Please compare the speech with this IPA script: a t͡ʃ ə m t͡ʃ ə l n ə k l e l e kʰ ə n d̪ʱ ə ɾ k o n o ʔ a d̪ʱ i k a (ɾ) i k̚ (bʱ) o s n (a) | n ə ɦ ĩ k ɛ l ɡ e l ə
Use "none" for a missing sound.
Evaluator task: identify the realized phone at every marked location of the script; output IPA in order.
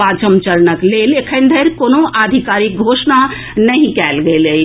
ɾ, ɡʱ, a

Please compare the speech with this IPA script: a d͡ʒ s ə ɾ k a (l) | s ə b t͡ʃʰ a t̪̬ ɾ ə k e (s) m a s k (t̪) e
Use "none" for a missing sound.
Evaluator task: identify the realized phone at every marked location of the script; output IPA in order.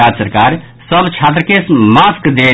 ɾ, s, d̪

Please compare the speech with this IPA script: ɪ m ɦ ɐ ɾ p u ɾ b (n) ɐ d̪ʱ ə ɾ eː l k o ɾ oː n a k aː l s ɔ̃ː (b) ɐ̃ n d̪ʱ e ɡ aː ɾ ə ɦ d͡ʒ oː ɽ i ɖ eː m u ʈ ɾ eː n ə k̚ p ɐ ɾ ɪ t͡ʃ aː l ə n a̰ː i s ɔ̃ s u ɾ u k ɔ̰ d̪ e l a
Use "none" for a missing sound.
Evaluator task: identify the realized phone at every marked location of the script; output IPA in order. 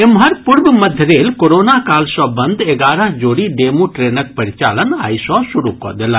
m, b

